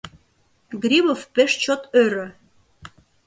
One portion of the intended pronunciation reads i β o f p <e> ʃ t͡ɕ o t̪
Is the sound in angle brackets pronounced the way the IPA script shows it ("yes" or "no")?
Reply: yes